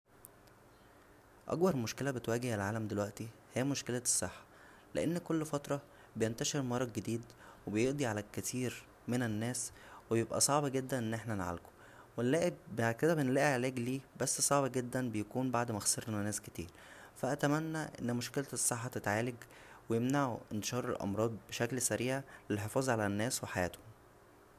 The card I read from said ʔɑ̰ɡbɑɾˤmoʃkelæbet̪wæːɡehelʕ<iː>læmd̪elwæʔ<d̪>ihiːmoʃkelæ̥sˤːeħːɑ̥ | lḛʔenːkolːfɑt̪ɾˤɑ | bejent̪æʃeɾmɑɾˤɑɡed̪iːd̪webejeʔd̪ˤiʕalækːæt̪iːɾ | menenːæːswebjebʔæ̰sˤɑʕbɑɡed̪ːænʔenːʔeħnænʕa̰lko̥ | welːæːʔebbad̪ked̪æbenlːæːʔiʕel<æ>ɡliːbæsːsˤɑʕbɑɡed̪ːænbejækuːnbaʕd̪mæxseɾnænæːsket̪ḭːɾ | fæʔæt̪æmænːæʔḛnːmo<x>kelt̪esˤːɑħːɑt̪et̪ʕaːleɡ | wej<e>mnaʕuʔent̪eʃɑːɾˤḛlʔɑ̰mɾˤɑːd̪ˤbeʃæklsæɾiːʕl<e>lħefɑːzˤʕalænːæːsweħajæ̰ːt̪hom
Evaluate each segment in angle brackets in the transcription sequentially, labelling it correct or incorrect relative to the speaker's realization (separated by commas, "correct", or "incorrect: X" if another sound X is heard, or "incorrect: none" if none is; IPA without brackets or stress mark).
incorrect: aː, incorrect: t̪, incorrect: æː, incorrect: ʃ, correct, correct